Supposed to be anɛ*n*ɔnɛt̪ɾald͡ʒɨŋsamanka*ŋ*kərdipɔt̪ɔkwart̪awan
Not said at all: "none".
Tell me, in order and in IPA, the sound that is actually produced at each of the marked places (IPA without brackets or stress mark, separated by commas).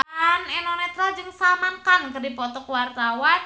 n, n